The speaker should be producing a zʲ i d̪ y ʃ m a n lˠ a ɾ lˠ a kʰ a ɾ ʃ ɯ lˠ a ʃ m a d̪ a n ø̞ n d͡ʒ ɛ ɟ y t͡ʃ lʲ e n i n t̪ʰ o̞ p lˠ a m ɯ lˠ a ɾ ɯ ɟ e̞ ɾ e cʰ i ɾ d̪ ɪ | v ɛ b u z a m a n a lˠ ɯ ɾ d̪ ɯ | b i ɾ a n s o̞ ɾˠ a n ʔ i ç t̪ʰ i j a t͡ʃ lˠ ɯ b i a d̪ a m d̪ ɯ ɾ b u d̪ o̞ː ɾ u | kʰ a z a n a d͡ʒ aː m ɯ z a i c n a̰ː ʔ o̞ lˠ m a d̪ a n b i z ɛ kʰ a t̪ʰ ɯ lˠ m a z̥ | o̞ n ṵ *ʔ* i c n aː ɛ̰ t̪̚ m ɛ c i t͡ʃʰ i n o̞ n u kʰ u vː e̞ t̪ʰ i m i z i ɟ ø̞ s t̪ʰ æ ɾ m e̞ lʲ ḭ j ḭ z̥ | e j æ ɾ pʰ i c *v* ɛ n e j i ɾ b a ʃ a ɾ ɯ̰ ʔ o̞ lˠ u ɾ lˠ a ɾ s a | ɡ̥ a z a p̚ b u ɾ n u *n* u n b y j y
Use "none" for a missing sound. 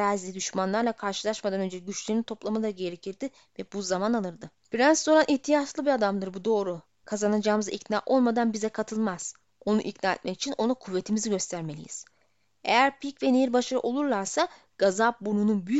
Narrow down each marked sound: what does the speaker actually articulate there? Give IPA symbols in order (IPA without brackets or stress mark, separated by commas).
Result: ʔ, v, n